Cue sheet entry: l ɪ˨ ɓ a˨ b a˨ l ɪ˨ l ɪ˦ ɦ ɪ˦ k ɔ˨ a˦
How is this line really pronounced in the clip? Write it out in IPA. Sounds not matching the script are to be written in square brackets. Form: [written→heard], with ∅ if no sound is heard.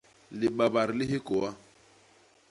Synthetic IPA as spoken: l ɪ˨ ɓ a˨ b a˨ [l→ɾ] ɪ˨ l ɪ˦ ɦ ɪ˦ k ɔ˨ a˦